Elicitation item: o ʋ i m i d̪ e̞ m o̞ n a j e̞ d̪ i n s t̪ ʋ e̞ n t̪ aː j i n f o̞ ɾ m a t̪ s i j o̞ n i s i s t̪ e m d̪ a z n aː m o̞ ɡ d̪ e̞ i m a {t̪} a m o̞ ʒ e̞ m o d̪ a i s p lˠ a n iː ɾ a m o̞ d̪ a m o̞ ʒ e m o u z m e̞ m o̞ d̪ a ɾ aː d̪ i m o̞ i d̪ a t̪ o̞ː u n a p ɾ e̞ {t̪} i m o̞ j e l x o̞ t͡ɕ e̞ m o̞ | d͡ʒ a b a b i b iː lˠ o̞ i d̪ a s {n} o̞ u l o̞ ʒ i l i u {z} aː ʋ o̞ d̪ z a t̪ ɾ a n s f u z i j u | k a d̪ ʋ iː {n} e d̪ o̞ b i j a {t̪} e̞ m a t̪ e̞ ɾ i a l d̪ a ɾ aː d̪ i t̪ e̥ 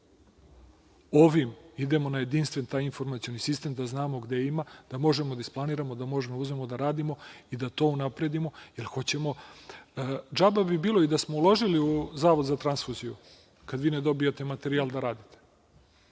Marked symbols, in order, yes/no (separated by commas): no, no, no, yes, yes, yes